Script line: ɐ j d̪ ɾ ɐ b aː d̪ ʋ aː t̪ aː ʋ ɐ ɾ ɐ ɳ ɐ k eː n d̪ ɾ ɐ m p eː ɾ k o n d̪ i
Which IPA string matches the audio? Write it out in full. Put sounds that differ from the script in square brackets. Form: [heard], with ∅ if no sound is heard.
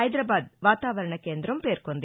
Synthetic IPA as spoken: ɐ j d̪ ɾ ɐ b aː d̪ ʋ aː t̪ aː ʋ ɐ ɾ ɐ ɳ ɐ k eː n d̪ ɾ ɐ m p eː ɾ k o n d̪ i